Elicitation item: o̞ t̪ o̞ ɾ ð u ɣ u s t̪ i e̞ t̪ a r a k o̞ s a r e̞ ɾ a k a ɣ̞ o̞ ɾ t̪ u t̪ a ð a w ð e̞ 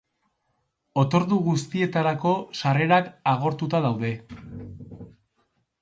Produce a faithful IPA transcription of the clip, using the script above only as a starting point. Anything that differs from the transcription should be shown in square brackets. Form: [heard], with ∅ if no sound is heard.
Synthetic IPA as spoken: o̞ t̪ o̞ ɾ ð u ɣ u s t̪ i e̞ t̪ a [ɾ] a k o̞ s a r e̞ ɾ a k a ɣ̞ o̞ ɾ t̪ u t̪ a ð a w ð e̞